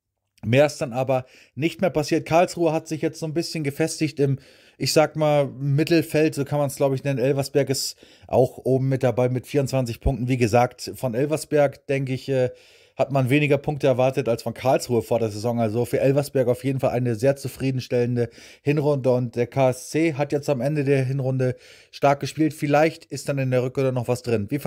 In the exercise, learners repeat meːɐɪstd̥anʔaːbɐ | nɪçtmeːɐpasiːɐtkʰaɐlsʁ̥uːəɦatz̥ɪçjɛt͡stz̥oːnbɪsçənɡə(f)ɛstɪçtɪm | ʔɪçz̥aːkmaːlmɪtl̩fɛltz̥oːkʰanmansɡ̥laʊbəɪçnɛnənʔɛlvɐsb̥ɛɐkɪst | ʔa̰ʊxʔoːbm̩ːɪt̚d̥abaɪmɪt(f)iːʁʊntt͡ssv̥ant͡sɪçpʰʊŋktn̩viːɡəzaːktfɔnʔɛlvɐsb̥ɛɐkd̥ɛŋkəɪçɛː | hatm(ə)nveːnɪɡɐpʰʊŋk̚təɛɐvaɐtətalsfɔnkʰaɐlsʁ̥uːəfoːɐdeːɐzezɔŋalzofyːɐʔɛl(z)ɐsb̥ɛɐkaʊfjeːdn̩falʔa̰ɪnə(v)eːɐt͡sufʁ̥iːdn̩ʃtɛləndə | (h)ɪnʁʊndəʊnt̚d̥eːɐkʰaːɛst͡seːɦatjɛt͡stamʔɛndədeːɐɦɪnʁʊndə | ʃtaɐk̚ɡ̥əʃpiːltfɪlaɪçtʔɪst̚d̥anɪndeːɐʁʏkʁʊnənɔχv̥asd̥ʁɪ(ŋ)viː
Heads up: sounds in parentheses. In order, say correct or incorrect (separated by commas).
correct, correct, incorrect, incorrect, incorrect, correct, incorrect